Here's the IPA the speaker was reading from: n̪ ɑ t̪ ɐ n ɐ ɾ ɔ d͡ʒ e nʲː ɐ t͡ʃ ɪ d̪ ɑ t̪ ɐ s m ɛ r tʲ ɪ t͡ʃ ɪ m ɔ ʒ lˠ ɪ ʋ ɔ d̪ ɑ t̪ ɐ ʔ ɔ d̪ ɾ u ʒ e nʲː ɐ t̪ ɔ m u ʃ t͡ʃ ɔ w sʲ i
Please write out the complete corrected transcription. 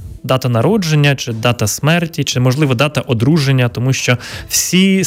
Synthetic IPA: d̪ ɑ t̪ ɐ n ɐ ɾ ɔ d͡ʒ e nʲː ɐ t͡ʃ ɪ d̪ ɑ t̪ ɐ s m ɛ r tʲ i t͡ʃ ɪ m ɔ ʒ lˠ ɪ ʋ ɔ d̪ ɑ t̪ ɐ ʔ ɔ d̪ ɾ u ʒ e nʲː ɐ t̪ ɔ m u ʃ t͡ʃ ɔ w sʲ i